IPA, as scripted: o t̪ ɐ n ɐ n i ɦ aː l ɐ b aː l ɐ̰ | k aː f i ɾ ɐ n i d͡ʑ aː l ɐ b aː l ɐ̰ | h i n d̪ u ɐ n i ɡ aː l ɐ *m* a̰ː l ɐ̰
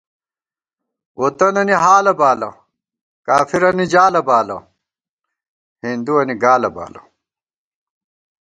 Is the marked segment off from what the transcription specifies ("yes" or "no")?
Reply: yes